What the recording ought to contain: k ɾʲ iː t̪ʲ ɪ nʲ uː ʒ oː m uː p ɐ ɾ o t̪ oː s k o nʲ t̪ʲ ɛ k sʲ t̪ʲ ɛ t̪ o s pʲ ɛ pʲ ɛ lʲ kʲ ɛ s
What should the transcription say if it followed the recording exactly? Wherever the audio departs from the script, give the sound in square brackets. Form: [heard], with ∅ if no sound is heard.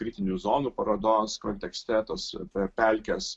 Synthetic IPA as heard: k ɾʲ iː t̪ʲ ɪ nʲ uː [z] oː [n] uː p ɐ ɾ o [d̪] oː s k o nʲ t̪ʲ ɛ k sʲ t̪ʲ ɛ t̪ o s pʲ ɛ pʲ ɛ lʲ kʲ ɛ s